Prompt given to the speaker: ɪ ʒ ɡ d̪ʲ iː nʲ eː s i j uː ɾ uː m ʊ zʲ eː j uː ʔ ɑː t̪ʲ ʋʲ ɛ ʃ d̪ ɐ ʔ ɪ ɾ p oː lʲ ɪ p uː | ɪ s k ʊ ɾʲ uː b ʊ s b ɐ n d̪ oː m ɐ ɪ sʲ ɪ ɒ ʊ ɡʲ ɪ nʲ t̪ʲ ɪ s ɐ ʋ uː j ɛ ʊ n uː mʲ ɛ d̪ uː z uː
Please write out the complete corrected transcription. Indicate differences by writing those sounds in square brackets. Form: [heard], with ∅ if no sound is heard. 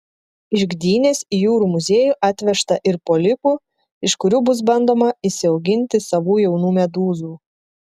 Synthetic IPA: ɪ ʒ ɡ d̪ʲ iː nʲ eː s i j uː ɾ uː m ʊ zʲ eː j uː ʔ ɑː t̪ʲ ʋʲ ɛ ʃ [t̪] ɐ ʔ ɪ ɾ p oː lʲ ɪ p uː | ɪ [ʃ] k ʊ ɾʲ uː b ʊ s b ɐ n d̪ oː m ɐ ɪ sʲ ɪ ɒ ʊ ɡʲ ɪ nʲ t̪ʲ ɪ s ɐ ʋ uː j ɛ ʊ n uː mʲ ɛ d̪ uː z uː